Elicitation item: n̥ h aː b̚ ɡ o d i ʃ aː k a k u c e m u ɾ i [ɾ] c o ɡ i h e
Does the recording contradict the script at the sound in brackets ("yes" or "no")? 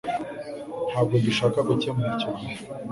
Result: yes